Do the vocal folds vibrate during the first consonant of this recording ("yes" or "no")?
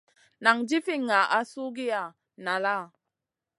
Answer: yes